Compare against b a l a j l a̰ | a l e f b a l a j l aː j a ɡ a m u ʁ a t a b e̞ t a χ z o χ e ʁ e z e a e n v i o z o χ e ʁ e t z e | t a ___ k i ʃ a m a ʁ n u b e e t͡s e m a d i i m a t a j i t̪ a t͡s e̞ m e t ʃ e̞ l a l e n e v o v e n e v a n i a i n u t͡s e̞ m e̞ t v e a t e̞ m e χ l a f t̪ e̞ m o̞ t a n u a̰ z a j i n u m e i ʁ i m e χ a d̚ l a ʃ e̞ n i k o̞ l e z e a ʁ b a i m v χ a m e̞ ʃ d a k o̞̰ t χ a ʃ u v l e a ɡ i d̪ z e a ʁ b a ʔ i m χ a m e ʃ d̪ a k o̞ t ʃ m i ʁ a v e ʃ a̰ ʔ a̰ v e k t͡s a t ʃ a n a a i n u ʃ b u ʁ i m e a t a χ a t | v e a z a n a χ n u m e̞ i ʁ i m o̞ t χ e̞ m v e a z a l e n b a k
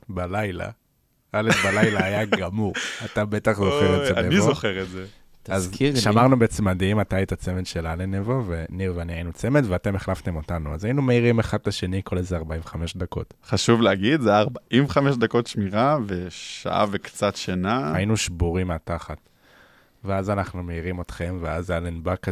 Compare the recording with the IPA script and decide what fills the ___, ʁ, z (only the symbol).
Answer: z